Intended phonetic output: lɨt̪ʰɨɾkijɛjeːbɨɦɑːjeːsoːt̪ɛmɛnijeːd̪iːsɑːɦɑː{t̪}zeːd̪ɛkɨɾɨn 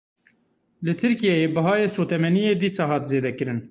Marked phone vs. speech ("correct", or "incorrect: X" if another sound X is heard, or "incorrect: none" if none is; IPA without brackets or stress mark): correct